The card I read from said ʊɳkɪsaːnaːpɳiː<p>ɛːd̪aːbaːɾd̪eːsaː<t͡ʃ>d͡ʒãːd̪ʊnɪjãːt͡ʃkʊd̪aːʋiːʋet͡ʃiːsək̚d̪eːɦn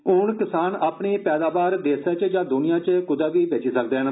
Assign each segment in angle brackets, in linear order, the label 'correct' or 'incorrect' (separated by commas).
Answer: correct, correct